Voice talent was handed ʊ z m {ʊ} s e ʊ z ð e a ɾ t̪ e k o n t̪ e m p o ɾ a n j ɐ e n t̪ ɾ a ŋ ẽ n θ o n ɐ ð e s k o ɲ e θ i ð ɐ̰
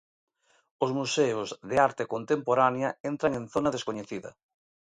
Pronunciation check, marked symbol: incorrect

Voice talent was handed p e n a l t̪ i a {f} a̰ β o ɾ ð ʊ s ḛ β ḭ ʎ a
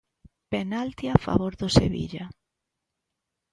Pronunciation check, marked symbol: correct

